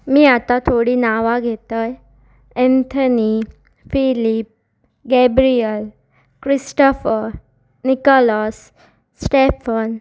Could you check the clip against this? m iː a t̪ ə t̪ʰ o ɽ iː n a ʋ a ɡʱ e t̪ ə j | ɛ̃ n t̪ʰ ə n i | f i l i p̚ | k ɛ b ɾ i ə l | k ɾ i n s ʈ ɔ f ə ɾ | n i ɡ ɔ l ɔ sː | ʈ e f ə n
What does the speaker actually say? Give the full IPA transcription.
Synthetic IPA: m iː a t̪ a t̪ʰ o ɽ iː n a ʋ a ɡʱ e t̪ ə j | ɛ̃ n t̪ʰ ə n i | f i l i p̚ | ɡ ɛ b ɾ i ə l | k ɾ i s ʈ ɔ f ə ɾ | n i k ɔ l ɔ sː | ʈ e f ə n